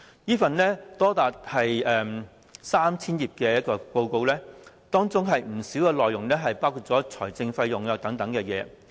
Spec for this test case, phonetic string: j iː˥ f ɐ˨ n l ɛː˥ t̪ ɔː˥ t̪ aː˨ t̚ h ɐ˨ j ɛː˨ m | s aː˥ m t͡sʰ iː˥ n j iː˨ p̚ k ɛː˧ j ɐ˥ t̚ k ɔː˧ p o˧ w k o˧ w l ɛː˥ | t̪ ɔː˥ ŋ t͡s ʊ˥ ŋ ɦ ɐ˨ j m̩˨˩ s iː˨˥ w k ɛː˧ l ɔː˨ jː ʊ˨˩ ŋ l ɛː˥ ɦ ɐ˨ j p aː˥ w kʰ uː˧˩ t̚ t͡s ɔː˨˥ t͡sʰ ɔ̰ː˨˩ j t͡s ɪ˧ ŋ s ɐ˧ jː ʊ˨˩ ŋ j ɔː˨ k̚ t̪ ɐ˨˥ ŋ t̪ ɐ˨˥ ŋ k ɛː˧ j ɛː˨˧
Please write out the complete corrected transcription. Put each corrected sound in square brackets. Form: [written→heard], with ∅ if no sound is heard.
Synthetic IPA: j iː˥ f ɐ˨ n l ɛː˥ t̪ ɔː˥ t̪ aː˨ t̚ h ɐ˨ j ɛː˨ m | s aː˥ m t͡sʰ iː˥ n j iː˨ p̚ k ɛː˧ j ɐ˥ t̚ k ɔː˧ p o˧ w k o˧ w l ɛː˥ | t̪ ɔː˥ ŋ t͡s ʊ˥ ŋ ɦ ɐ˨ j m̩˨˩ s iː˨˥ w k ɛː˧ l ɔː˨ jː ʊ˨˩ ŋ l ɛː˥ ɦ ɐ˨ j p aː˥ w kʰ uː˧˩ t̚ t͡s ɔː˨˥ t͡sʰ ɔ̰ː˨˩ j t͡s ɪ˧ ŋ [s→f] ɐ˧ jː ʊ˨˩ ŋ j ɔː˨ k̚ t̪ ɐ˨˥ ŋ t̪ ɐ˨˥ ŋ k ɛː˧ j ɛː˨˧